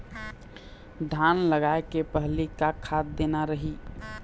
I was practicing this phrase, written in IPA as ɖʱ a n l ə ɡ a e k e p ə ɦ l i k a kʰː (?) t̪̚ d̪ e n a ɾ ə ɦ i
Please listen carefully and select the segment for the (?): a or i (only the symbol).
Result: a